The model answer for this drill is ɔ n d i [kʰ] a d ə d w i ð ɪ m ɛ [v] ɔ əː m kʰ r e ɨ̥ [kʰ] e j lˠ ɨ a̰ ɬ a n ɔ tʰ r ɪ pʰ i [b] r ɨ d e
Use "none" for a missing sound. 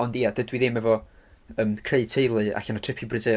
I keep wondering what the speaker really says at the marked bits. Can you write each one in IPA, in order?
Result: none, v, tʰ, b

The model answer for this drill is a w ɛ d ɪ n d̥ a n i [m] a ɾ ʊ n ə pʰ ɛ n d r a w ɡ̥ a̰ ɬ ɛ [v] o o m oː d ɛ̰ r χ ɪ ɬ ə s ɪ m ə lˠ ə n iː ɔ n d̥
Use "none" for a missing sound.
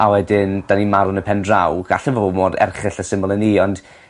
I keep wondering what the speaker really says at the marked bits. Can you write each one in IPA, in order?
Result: m, v

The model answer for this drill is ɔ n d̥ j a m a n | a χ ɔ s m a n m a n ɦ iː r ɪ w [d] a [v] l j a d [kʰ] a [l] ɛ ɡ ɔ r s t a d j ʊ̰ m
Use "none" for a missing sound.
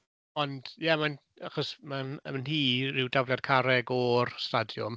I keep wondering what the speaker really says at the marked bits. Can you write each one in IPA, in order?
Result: d, v, kʰ, ɾ

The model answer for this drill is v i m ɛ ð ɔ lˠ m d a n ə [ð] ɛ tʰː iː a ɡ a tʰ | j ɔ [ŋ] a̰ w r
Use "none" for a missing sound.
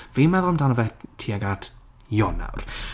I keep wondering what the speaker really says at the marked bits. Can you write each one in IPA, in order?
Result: v, n

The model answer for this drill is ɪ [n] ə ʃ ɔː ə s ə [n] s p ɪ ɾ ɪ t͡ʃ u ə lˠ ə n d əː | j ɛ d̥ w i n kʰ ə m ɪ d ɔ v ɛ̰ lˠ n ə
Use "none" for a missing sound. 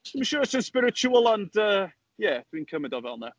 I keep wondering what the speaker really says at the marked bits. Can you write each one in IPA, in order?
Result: m, n

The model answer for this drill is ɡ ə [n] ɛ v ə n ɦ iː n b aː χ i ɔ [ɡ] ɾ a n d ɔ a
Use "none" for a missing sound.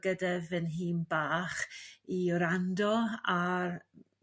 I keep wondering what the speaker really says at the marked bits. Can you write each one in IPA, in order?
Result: d, none

